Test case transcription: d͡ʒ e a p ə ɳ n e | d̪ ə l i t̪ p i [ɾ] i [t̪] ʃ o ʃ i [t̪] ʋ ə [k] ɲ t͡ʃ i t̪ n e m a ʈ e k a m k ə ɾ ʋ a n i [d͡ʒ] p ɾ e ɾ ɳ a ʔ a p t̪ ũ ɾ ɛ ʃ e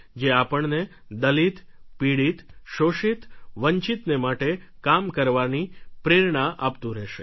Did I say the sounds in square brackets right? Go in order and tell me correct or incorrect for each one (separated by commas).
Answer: incorrect, correct, correct, incorrect, incorrect